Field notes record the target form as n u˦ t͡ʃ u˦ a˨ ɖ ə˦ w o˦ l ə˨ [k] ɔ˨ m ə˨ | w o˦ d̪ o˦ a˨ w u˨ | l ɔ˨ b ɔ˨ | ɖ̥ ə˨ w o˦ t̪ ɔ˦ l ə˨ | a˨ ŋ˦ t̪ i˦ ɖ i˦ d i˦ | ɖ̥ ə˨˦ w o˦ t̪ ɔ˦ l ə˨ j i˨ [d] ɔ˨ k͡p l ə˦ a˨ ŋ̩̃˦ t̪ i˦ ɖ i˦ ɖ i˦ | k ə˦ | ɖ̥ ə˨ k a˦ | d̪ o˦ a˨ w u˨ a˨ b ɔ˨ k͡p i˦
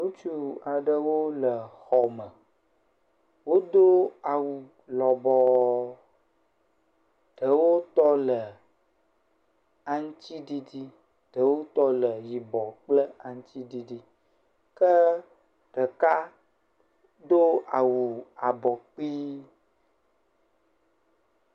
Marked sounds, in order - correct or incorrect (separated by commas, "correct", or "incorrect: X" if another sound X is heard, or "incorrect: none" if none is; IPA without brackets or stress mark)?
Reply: incorrect: x, incorrect: b